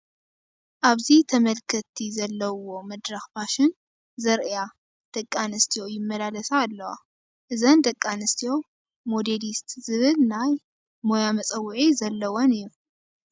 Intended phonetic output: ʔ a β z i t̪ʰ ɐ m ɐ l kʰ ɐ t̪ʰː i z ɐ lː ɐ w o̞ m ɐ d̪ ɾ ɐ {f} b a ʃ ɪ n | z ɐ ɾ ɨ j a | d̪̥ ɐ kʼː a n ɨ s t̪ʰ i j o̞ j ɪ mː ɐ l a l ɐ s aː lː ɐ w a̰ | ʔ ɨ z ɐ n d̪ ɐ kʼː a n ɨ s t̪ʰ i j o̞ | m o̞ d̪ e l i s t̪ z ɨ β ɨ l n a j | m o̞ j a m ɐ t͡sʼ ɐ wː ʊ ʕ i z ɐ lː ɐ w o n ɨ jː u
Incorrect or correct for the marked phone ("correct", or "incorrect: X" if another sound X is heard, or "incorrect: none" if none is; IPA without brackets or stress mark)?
incorrect: x